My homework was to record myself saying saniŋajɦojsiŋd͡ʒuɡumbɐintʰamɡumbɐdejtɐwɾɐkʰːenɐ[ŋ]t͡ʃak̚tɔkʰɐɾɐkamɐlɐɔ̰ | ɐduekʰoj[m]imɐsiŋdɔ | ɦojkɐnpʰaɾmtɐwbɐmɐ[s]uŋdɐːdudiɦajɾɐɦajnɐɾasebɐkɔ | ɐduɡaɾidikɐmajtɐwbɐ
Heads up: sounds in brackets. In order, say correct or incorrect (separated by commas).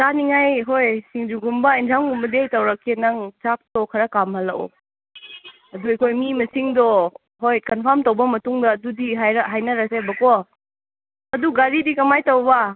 correct, correct, incorrect